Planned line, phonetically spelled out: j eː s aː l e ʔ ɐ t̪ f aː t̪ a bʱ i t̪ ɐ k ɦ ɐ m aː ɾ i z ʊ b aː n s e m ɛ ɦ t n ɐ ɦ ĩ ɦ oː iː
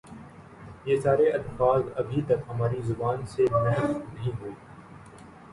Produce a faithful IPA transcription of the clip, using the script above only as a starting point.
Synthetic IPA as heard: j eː s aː ɾ e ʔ ɐ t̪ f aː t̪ ɐ bʱ i t̪ ɐ k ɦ ɐ m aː ɾ i z ʊ b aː n s e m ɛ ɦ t n ɐ ɦ ĩ ɦ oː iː